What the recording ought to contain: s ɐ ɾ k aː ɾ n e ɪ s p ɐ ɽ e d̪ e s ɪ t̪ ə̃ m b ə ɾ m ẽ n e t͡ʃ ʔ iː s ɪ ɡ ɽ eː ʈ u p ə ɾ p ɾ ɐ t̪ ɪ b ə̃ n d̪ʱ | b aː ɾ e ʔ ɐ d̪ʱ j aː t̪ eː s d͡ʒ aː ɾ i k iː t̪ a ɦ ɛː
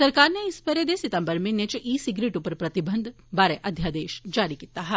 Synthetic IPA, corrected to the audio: s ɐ ɾ k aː ɾ n e ɪ s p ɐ ɾ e d̪ e s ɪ t̪ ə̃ m b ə ɾ m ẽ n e t͡ʃ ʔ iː s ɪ ɡ ɾ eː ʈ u p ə ɾ p ɾ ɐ t̪ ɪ b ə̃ n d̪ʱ | b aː ɾ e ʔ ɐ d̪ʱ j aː d̪ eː ʃ d͡ʒ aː ɾ i k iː t̪ a ɦ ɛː